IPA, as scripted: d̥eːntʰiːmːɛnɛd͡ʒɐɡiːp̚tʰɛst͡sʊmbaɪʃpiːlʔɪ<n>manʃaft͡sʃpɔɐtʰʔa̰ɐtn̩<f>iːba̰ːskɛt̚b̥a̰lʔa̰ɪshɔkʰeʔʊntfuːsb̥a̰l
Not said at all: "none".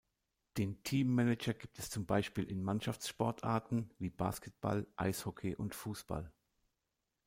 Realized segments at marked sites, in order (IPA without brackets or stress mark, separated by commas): n, v